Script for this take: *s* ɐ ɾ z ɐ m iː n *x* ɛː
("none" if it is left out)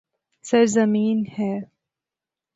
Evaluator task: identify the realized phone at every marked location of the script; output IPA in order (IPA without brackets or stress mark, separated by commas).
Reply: s, h